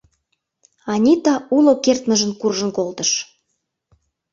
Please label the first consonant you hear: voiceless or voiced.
voiced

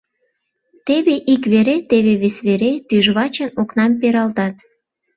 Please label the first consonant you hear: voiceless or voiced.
voiceless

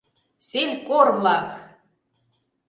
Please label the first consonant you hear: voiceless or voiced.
voiceless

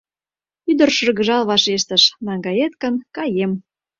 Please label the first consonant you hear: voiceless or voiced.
voiced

